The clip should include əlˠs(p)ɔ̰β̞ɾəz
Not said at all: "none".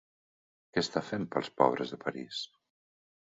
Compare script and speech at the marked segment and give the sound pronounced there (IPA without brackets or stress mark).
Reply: p